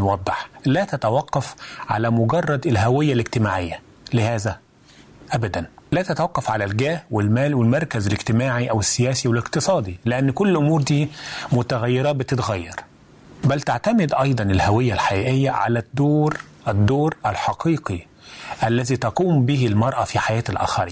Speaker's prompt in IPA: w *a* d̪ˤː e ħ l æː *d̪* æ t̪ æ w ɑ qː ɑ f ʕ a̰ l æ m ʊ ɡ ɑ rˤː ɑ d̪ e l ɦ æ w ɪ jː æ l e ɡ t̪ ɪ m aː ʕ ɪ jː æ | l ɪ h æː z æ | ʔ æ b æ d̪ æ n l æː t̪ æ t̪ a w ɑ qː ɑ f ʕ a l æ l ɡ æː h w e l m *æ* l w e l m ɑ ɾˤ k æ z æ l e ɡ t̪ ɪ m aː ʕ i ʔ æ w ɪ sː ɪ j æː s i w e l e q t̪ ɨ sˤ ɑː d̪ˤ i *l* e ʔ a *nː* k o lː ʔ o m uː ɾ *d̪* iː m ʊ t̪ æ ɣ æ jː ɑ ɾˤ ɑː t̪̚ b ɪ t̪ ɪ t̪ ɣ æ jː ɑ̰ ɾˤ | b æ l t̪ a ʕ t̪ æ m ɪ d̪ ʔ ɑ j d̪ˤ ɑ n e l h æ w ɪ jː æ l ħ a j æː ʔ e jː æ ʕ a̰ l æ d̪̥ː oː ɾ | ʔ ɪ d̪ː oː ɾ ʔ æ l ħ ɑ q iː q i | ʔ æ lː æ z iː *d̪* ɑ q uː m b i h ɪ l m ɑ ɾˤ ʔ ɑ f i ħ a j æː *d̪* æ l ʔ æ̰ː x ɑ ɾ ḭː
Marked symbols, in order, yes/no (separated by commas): no, no, no, yes, yes, yes, no, no